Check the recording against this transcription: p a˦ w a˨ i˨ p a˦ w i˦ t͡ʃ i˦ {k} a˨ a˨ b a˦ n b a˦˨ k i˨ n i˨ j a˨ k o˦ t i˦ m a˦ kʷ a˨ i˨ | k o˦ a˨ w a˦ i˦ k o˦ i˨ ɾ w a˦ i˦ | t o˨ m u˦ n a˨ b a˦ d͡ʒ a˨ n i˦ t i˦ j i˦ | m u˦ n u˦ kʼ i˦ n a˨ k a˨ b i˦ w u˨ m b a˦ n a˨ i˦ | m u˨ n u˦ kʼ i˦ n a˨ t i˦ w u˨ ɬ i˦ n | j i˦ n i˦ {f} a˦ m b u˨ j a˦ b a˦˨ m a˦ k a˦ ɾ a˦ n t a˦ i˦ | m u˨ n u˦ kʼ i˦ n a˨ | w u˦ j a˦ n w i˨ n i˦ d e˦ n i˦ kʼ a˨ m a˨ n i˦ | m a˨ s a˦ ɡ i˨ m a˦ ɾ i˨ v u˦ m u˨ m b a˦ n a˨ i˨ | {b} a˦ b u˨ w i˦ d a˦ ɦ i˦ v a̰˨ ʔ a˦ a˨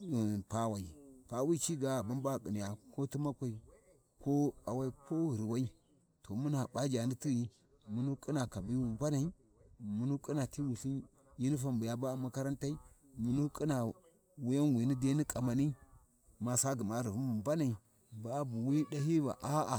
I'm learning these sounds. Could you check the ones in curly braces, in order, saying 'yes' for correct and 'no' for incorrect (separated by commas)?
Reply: no, yes, yes